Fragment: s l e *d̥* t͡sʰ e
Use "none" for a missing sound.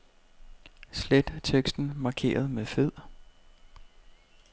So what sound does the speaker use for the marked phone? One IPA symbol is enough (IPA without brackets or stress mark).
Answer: d̥